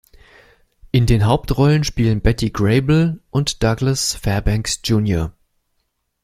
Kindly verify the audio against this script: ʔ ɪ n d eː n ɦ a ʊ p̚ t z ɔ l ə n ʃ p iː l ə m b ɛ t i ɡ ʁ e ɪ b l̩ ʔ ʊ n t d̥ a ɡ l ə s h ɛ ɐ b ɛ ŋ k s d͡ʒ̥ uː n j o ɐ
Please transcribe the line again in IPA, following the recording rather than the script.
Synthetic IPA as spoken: ʔ ɪ n d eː n ɦ a ʊ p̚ t ʁ ɔ l ə n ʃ p iː l ə n b ɛ t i ɡ ʁ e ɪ b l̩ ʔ ʊ n t d̥ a ɡ l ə s f ɛ ɐ b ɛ ŋ k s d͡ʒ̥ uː n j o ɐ